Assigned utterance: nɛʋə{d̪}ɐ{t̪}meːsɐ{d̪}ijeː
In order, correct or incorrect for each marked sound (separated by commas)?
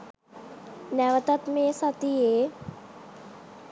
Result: incorrect, correct, incorrect